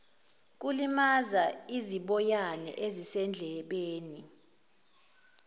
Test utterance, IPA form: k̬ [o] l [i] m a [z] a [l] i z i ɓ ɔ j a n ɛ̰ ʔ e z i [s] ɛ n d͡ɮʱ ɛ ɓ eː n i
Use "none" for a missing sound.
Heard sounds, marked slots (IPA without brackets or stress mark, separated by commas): u, i, z, none, s